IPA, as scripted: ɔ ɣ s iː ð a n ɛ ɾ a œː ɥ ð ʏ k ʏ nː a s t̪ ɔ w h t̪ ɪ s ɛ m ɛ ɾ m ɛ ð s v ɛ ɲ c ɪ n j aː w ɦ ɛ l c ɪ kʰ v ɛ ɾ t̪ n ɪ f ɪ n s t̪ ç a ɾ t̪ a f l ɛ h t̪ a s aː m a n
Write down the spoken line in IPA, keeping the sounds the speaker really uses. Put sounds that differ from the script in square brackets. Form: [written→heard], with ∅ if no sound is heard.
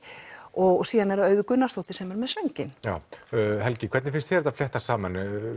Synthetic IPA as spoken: ɔ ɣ s iː ð a n ɛ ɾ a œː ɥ ð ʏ k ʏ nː a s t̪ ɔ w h t̪ ɪ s ɛ m ɛ ɾ m ɛ ð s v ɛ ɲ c ɪ n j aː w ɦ ɛ l c ɪ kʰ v ɛ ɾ t̪ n ɪ f ɪ n s t̪ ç [a→ɛ] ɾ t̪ a f l ɛ h t̪ a s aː m a n